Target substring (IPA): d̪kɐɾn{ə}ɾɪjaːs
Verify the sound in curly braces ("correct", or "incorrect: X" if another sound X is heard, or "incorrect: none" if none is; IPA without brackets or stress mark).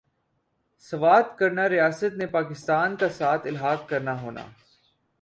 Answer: incorrect: a